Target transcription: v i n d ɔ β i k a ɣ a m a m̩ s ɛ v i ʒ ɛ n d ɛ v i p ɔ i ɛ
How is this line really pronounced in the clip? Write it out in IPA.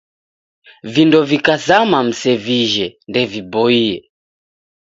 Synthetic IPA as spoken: v i n d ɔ v i k a z a m a m̩ s ɛ v i ʒ ɛ n d ɛ v i b ɔ i ɛ